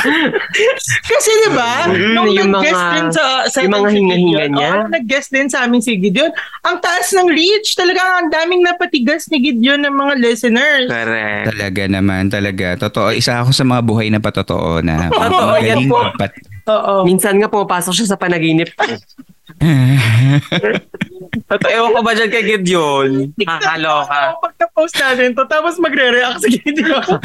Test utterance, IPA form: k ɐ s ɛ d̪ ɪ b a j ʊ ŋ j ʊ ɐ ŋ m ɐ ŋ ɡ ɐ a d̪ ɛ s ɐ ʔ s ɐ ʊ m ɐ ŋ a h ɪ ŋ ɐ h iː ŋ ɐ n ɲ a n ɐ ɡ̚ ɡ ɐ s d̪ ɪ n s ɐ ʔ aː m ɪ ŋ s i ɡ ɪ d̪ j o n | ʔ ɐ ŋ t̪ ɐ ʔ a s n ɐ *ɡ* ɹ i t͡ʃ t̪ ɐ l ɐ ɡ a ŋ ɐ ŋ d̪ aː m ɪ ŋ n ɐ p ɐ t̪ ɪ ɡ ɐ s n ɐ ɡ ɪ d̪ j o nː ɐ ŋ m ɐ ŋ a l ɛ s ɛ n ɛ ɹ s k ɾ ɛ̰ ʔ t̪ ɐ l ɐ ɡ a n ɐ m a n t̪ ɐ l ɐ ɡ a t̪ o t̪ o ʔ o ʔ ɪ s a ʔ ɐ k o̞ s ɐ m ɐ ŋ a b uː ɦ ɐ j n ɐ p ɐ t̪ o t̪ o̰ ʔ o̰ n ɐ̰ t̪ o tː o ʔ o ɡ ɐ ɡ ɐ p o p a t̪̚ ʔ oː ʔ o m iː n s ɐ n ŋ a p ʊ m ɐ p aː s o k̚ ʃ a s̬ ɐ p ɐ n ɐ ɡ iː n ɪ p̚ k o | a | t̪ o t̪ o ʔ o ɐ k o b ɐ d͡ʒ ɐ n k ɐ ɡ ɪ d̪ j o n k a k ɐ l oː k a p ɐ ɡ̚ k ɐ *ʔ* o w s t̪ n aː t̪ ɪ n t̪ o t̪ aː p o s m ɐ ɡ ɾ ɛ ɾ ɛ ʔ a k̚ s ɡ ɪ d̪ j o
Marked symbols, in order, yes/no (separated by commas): no, no